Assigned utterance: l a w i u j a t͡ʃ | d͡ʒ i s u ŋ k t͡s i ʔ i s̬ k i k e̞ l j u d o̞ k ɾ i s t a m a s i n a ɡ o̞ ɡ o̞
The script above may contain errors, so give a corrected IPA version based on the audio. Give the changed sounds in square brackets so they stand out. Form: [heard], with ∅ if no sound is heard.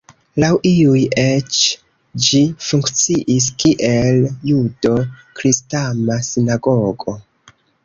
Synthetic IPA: l a w i u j [e] t͡ʃ | d͡ʒ i [f] u ŋ k t͡s i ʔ i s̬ k i [ʔ] e̞ l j u d o̞ k ɾ i s t a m a s i n a ɡ o̞ ɡ o̞